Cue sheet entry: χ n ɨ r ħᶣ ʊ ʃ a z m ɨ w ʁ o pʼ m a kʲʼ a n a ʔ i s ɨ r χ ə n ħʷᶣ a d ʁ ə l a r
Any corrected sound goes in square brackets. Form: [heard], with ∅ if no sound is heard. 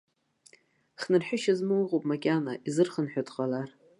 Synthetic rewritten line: χ n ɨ r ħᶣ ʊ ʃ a z m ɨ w ʁ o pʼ m a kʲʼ a n a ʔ i [z] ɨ r χ ə n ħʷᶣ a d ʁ [a] l a r